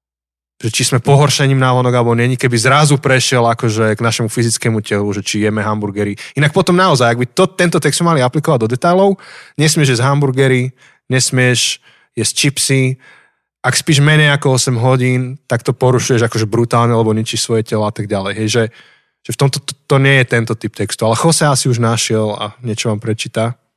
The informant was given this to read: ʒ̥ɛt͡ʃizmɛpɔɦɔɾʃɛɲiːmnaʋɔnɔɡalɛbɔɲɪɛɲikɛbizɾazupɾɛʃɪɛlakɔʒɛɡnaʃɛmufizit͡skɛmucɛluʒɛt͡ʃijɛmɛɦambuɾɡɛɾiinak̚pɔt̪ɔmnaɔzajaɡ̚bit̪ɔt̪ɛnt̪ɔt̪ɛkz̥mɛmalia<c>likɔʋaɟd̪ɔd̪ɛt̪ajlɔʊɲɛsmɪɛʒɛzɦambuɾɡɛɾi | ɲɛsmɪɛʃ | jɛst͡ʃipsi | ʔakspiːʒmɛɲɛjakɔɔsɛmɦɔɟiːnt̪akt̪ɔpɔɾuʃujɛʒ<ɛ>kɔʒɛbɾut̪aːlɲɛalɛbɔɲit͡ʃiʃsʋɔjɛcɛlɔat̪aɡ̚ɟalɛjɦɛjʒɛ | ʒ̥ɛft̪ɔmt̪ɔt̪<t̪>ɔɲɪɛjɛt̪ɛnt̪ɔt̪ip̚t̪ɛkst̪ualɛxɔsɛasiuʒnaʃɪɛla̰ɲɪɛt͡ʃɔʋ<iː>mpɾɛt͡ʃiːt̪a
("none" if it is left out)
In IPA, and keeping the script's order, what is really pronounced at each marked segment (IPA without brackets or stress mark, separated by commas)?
p, a, t̪, aː